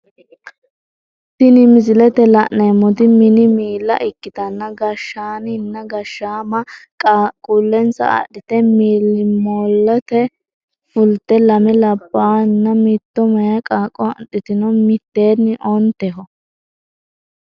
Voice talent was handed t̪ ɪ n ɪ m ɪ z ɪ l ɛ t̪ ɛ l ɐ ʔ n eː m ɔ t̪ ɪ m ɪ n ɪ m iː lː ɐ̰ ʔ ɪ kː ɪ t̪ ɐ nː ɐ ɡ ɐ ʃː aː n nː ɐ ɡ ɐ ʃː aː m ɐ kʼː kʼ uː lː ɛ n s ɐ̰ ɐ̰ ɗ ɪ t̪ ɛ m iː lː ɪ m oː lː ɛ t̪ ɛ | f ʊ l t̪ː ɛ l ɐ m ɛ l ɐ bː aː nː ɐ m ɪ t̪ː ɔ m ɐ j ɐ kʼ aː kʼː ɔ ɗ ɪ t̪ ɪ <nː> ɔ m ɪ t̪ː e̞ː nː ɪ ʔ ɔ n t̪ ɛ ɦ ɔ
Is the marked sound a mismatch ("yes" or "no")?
yes